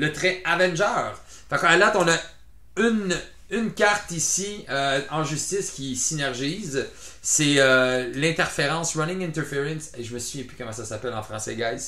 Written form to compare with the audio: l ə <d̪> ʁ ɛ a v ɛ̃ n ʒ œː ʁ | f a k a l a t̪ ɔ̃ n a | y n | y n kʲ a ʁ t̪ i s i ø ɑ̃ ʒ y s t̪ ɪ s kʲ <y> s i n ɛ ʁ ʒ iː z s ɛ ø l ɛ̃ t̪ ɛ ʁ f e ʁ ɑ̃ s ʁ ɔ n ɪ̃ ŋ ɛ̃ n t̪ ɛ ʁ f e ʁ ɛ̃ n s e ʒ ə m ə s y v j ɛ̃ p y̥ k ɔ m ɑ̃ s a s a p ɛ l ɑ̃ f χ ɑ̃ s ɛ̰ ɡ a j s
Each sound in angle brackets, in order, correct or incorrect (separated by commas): incorrect, incorrect